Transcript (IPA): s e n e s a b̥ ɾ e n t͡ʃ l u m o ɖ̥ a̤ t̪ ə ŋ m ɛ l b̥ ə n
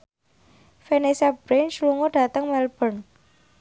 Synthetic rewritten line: f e n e s a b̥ ɾ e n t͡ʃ l u ŋ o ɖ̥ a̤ t̪ ə ŋ m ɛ l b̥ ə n